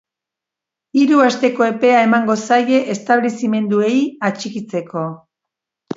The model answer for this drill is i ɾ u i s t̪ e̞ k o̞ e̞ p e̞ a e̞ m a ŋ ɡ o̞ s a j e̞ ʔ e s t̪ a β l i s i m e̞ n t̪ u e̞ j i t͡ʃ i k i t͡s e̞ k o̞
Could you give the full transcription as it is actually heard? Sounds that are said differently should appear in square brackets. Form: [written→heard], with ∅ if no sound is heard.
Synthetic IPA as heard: i ɾ u [i→a] s t̪ e̞ k o̞ e̞ p e̞ a e̞ m a ŋ ɡ o̞ s a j e̞ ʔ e s t̪ a β l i s i m e̞ n [t̪→d̪] u e̞ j [i→a] t͡ʃ i k i t͡s e̞ k o̞